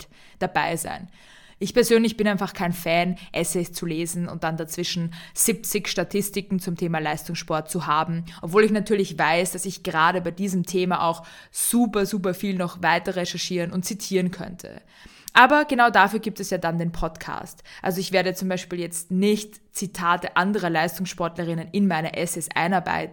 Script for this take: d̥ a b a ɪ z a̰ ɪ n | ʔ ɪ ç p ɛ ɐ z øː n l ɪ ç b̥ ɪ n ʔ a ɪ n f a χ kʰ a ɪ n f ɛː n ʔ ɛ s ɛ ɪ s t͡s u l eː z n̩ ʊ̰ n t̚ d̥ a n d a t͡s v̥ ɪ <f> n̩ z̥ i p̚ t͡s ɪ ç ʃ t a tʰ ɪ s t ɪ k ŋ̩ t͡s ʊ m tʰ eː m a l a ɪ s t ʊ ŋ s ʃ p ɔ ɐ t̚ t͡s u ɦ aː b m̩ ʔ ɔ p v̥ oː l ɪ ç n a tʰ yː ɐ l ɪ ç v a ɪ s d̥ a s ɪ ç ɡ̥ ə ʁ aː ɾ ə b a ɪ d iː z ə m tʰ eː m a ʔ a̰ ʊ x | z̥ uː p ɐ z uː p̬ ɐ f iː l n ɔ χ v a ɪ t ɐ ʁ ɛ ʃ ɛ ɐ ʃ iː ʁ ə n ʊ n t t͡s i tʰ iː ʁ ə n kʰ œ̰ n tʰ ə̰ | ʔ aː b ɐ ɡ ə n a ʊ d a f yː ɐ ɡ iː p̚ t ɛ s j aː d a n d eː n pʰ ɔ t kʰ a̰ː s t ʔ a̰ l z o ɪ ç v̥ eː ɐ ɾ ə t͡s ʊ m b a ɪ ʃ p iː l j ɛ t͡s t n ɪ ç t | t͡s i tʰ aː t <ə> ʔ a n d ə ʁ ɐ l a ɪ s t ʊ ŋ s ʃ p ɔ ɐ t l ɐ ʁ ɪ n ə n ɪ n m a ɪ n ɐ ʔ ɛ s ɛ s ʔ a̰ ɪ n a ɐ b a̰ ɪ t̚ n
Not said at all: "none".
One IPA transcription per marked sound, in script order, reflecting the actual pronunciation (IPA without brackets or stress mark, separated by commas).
ʃ, ə